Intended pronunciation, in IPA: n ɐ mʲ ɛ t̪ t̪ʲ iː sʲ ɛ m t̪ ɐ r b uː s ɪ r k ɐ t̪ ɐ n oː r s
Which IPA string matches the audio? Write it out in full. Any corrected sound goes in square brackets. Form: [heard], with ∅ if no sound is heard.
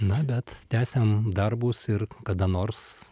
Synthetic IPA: n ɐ [bʲ] ɛ t̪ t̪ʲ [æː] sʲ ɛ m [d̪] ɐ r b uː s ɪ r k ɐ [d̪] ɐ n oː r s